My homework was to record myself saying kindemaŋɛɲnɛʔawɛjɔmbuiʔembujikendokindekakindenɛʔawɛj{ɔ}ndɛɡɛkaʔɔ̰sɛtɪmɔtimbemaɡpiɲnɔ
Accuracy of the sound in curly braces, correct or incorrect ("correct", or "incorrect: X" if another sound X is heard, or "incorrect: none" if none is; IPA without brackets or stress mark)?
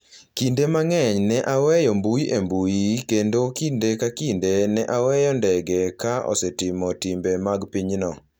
correct